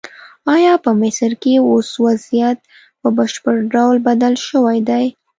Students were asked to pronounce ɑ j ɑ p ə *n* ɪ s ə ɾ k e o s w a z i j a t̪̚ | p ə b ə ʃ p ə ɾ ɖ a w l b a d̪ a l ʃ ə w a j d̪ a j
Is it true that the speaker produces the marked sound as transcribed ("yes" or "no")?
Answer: no